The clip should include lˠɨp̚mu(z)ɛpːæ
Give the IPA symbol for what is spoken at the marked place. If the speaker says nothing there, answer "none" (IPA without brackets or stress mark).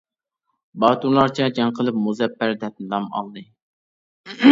z